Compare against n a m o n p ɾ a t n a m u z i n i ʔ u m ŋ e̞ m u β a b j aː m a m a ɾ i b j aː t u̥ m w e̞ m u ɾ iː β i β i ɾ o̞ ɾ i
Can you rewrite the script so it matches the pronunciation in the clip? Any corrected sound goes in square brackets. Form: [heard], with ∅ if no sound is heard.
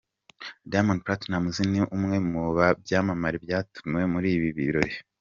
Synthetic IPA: [d] a m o n p ɾ a t n a m u z i n i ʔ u m ŋ e̞ m u β a b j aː m a m a ɾ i b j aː t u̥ m w e̞ m u ɾ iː β i β i ɾ o̞ ɾ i

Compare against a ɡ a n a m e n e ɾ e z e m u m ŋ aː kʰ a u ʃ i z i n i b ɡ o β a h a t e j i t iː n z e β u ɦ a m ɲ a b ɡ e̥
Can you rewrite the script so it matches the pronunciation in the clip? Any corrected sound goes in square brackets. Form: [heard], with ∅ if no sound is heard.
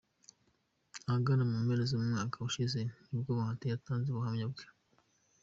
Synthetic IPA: a ɡ a n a m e [m] e ɾ e z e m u m ŋ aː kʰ a u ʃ i z [e] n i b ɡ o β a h a t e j [a] t [aː] n z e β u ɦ a m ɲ a b ɡ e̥

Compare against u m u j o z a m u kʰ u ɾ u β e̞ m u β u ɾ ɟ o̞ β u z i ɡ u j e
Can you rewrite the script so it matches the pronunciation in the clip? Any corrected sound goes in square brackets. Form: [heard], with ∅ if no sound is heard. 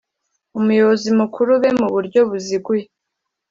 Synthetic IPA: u m u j o z [i] m u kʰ u ɾ u β e̞ m u β u ɾ ɟ o̞ β u z i ɡ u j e

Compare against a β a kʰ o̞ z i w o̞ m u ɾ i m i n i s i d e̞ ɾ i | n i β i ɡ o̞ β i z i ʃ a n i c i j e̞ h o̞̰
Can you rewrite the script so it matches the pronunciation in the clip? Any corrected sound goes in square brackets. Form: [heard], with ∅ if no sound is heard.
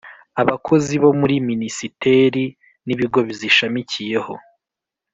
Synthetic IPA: a β a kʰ o̞ z i [β] o̞ m u ɾ i m i n i s i [t] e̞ ɾ i | n i β i ɡ o̞ β i z i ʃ a [m] i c i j e̞ h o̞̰

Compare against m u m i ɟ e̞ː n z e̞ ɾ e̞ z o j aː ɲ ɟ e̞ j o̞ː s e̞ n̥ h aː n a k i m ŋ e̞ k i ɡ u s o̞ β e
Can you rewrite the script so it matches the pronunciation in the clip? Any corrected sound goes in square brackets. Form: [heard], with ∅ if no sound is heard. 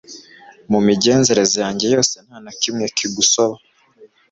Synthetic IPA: m u m i ɟ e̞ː n z e̞ ɾ e̞ z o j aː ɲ ɟ e̞ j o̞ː s e̞ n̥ h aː n a k i m ŋ e̞ k i ɡ u s o̞ β [a]

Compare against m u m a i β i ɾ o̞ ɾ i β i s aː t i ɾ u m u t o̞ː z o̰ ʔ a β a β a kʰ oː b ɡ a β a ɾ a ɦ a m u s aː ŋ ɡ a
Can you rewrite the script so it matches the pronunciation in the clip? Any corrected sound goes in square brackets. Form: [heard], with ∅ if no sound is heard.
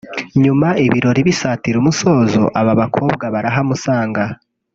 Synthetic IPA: [ɲ] u m a i β i ɾ o̞ ɾ i β i s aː t i ɾ u m u [s] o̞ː z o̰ ʔ a β a β a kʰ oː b ɡ a β a ɾ a ɦ a m u s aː ŋ ɡ a

